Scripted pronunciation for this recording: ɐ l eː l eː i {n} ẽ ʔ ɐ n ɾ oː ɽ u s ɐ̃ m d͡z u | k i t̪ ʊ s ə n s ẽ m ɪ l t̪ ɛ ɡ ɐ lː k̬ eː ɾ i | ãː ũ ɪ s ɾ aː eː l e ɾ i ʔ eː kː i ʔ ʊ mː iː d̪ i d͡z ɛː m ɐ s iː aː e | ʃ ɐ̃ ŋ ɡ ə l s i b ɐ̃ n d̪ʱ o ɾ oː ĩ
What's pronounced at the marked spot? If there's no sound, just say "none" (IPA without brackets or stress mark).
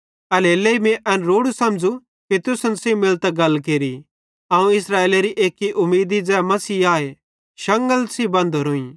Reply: m